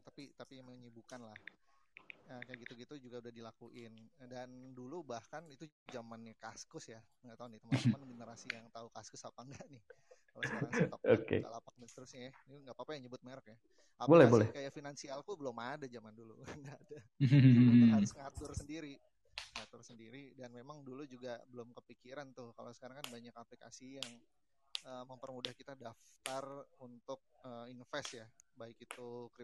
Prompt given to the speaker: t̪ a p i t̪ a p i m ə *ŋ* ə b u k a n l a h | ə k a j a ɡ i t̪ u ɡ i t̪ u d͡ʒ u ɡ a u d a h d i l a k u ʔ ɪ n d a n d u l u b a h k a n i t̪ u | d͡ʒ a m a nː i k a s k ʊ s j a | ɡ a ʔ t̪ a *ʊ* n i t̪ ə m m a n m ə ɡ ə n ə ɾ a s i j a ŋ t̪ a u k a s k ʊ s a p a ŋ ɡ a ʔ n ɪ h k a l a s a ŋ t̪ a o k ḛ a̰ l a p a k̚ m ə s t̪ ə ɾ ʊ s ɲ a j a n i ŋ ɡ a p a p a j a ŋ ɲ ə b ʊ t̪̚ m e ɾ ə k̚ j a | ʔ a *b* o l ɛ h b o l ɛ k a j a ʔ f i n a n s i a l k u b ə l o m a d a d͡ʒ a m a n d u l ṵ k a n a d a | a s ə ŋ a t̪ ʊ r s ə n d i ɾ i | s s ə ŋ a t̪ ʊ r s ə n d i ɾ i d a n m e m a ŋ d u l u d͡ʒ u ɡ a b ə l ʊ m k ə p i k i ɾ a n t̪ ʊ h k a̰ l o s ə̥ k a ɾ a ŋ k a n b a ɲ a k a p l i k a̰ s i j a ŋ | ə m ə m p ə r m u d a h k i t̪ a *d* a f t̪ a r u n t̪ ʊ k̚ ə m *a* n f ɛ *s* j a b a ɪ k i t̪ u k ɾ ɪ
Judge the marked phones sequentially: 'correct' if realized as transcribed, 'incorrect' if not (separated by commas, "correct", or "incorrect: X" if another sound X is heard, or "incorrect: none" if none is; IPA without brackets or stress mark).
incorrect: ɲ, incorrect: u, correct, correct, incorrect: i, correct